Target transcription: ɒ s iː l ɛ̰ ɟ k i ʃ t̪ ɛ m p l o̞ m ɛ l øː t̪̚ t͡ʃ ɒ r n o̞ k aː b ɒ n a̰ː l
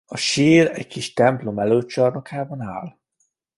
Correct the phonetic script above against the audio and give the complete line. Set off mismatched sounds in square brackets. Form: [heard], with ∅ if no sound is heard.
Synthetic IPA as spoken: ɒ [ʃ] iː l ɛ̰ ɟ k i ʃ t̪ ɛ m p l o̞ m ɛ l øː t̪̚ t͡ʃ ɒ r n o̞ k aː b ɒ n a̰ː l